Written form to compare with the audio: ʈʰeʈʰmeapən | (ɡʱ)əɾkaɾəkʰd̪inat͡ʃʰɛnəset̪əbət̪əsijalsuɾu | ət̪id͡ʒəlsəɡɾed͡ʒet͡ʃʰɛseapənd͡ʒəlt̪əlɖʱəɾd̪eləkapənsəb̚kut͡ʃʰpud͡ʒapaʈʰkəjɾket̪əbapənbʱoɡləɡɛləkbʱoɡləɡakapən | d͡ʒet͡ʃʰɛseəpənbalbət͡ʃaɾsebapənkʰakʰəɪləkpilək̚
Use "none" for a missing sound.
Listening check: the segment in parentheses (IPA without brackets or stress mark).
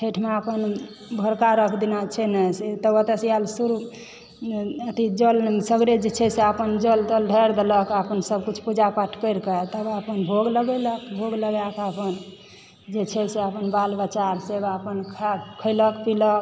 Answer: bʱ